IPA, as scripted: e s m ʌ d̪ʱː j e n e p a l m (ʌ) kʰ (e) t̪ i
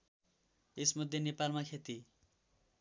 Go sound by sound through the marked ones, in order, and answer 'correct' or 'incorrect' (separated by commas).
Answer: incorrect, correct